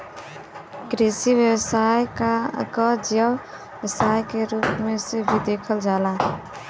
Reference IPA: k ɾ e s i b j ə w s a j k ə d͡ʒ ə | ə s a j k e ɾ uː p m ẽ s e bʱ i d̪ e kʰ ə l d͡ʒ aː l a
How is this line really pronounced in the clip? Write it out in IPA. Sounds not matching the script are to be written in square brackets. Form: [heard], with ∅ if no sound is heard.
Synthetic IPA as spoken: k ɾ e s i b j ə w s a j k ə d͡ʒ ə | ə s a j k e ɾ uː p m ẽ s e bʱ i d̪ e kʰ ə l d͡ʒ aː l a